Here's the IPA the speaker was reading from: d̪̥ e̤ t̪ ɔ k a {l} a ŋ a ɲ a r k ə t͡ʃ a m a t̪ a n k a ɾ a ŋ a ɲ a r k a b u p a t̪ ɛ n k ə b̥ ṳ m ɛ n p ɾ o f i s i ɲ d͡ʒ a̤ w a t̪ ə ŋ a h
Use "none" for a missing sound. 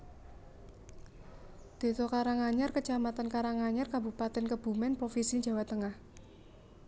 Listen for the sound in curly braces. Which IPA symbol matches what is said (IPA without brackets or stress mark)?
ɾ